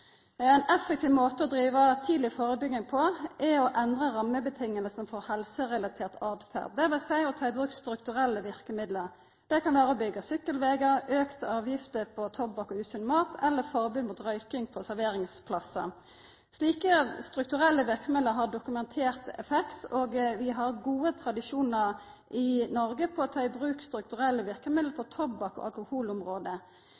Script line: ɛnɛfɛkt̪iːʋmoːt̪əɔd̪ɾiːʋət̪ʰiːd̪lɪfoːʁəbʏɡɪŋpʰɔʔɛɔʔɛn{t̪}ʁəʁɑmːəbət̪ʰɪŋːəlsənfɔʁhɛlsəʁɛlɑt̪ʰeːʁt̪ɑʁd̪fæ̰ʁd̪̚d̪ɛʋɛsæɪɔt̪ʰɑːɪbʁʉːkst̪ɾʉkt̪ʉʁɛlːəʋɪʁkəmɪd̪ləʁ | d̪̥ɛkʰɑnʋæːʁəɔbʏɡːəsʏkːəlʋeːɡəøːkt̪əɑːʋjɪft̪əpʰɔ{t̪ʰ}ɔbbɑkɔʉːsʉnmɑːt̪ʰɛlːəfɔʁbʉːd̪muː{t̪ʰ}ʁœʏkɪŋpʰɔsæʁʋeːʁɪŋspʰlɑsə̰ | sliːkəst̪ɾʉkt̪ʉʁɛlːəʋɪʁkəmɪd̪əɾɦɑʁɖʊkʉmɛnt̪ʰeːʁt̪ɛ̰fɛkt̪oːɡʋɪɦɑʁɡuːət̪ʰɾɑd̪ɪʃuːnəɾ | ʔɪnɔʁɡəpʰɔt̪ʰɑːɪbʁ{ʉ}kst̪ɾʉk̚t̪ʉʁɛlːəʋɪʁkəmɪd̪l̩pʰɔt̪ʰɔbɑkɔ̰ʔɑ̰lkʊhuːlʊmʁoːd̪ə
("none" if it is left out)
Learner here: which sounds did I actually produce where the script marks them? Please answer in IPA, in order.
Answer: d̪, t̪ʰ, t̪, ʉː

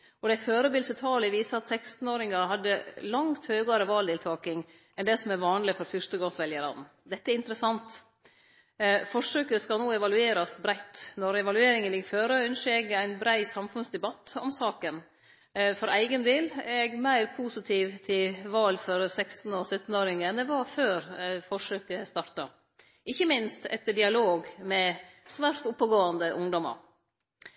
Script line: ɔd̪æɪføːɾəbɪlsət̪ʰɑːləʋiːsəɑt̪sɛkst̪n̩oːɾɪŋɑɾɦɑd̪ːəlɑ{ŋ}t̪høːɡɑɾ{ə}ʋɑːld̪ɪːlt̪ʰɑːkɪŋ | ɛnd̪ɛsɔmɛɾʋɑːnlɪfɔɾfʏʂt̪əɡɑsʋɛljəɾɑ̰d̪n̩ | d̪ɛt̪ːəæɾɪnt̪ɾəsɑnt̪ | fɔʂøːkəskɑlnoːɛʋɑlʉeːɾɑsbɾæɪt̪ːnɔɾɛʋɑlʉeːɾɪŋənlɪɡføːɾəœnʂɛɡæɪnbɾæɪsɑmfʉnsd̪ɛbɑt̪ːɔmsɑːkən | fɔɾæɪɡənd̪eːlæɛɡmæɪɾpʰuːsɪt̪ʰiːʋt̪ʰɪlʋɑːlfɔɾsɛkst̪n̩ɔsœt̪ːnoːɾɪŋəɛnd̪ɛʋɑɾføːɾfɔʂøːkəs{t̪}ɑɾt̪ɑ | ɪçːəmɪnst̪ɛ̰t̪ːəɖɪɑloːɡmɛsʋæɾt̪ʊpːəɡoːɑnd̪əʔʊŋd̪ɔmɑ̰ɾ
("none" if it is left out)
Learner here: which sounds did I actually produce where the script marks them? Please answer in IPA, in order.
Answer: ŋ, ə, t̪

